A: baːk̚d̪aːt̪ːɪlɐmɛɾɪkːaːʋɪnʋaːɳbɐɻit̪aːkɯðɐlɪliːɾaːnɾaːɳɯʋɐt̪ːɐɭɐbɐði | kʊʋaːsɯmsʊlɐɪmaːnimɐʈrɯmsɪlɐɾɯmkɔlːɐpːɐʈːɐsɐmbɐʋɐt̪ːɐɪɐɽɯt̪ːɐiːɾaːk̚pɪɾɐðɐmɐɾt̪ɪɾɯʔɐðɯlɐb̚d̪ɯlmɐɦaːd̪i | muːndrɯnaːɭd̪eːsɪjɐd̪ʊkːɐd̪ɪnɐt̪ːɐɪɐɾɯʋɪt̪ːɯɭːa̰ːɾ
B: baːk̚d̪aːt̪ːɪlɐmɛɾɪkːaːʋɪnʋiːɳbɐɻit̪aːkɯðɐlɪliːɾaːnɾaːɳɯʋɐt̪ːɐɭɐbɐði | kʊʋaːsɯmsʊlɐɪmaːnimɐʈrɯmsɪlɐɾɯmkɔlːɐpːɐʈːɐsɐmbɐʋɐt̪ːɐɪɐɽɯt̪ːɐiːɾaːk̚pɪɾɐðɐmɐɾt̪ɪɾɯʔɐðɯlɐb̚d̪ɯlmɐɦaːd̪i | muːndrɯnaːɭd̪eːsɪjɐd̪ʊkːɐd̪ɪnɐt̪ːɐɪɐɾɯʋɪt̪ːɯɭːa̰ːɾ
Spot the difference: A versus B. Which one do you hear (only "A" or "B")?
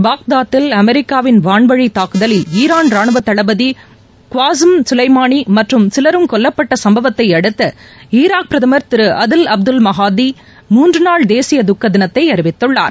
A